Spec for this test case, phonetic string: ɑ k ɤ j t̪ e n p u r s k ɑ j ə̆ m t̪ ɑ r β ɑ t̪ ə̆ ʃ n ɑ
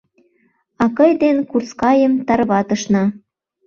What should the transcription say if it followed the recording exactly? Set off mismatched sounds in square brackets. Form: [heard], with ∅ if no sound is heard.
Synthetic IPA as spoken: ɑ k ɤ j [d̪] e n [k] u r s k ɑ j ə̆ m t̪ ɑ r β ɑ t̪ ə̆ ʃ n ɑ